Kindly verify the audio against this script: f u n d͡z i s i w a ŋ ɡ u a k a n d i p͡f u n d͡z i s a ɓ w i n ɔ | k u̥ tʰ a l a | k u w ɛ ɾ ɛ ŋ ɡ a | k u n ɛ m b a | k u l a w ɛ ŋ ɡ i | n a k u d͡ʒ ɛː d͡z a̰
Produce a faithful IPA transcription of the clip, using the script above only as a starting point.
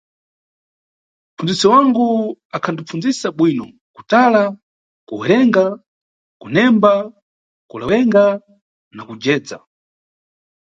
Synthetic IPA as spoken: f u n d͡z i s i w a ŋ ɡ u a kʰ a n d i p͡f u n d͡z i s a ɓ w i n ɔ | k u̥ t a l a | k u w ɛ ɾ ɛ ŋ ɡ a | k u n ɛ m b a | k u l a w ɛ ŋ ɡ a | n a k u d͡ʒ ɛː d͡z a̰